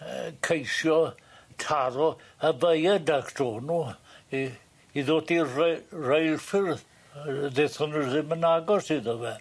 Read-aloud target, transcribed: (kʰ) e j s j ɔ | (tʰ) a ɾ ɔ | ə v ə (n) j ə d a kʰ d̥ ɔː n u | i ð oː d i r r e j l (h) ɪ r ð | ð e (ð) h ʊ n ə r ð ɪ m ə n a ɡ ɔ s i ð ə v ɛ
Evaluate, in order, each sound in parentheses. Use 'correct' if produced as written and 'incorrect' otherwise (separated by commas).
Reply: correct, correct, incorrect, incorrect, incorrect